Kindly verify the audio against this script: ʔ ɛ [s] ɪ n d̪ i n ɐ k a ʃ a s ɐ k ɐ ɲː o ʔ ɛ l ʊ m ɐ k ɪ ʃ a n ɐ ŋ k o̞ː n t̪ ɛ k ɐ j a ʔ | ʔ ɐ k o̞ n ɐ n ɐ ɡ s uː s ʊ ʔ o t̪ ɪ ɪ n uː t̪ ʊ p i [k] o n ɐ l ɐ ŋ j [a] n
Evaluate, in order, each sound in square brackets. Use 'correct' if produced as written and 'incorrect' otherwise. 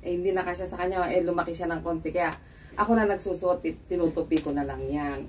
incorrect: h, correct, correct

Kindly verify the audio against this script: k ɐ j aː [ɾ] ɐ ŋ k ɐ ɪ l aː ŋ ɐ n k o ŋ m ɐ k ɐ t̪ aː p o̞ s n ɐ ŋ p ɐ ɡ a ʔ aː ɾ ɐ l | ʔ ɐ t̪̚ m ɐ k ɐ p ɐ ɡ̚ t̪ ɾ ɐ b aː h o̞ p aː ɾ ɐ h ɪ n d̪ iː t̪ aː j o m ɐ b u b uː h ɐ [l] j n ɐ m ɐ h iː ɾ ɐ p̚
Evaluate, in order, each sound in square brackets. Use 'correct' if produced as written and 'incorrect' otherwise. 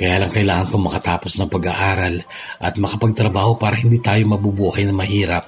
incorrect: l, incorrect: none

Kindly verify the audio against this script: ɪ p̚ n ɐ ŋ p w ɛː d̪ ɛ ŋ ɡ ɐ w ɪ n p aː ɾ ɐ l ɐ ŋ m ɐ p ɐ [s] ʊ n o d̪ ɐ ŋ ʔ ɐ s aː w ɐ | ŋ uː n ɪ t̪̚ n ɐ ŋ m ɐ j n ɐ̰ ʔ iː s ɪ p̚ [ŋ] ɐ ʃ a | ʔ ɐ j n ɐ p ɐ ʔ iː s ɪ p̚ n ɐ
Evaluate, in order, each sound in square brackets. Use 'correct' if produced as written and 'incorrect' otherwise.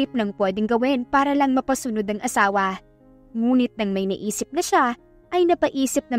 correct, incorrect: n

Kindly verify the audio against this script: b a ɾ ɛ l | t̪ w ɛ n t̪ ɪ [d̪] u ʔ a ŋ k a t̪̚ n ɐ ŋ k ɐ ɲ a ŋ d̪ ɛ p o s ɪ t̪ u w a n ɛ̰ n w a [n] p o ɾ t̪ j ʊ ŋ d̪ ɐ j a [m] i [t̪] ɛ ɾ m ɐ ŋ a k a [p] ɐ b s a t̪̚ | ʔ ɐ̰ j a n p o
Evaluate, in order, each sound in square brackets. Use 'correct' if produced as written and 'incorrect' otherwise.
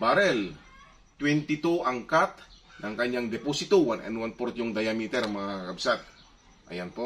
incorrect: t̪, correct, correct, correct, incorrect: k

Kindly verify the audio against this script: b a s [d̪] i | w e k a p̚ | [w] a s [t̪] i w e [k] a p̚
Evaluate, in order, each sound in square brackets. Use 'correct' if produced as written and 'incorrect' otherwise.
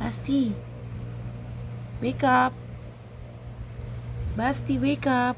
incorrect: t̪, incorrect: b, correct, correct

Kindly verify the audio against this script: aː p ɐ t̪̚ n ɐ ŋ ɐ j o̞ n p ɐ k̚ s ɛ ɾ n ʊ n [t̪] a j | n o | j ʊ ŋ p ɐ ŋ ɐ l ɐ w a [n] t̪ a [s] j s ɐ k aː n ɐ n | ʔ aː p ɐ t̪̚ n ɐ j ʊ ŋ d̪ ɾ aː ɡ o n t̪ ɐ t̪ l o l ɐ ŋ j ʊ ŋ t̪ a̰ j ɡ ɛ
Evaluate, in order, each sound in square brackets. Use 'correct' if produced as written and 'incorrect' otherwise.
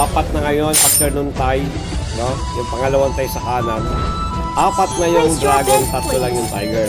correct, correct, incorrect: none

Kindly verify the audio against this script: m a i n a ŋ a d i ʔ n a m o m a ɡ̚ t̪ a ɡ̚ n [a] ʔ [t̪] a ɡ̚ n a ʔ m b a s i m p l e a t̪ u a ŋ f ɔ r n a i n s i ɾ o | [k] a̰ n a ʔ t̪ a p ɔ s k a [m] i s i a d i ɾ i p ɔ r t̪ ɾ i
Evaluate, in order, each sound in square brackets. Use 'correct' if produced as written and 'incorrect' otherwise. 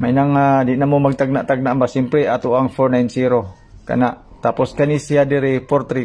correct, correct, correct, incorrect: n

